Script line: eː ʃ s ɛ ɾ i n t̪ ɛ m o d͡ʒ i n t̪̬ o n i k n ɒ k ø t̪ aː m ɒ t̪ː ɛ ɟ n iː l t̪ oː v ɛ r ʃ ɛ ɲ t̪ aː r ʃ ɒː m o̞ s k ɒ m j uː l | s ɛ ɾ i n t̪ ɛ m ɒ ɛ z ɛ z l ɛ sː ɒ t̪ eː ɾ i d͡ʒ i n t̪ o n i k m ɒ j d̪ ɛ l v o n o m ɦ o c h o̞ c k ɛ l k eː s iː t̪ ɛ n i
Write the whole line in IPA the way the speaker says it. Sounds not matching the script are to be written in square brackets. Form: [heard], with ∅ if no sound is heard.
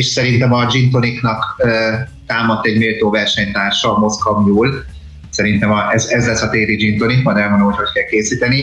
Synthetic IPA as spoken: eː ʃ s ɛ ɾ i n t̪ ɛ m [ɒ] d͡ʒ i n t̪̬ o n i k n ɒ k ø t̪ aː m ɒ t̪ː ɛ ɟ [m] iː l t̪ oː v ɛ r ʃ ɛ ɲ t̪ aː r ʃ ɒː m o̞ s k ɒ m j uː l | s ɛ ɾ i n t̪ ɛ m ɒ ɛ z ɛ z l ɛ sː ɒ t̪ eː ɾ i d͡ʒ i n t̪ o n i k m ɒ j d̪ ɛ l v o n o m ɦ o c h o̞ c k ɛ l k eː s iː t̪ ɛ n i